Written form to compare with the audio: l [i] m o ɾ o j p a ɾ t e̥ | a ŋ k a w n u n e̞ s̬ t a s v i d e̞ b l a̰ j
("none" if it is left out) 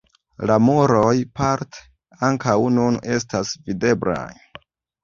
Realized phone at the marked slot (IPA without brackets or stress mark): a